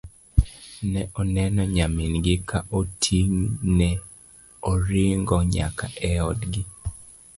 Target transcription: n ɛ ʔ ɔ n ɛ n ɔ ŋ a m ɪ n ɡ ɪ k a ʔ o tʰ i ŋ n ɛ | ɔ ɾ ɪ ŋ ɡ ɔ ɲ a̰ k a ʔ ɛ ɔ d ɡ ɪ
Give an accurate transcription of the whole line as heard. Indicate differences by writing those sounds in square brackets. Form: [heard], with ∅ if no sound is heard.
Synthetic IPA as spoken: n ɛ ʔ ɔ n ɛ n ɔ [ɲ] a m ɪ n ɡ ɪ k a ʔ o tʰ i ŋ n ɛ | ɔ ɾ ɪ ŋ ɡ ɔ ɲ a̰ k a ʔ ɛ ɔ d ɡ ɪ